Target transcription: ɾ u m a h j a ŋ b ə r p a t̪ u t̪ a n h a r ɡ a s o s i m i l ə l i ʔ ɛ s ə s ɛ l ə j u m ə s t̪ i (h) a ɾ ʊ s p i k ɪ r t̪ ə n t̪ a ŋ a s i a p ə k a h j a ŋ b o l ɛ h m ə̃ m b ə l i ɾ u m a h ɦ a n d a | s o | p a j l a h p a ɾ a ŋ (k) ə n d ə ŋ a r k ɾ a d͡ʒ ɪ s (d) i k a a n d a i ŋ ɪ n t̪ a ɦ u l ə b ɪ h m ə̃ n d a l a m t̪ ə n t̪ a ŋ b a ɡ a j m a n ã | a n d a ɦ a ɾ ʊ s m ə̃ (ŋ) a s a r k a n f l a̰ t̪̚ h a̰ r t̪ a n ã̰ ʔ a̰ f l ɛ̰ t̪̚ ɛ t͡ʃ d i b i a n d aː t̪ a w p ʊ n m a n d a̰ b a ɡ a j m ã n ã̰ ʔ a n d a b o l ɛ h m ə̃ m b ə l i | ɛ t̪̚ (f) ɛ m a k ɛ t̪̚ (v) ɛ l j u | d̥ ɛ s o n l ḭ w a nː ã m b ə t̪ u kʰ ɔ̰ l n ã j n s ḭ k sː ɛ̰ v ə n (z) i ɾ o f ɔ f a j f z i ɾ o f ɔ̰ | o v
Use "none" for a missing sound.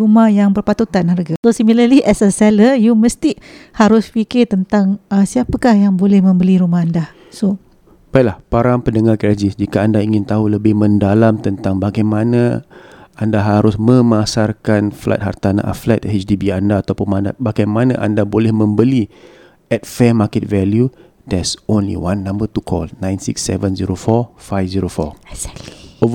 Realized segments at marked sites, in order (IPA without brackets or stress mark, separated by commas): h, p, d͡ʒ, m, f, v, z